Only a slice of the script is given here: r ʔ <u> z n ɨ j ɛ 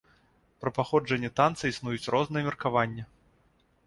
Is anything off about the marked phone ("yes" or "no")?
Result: yes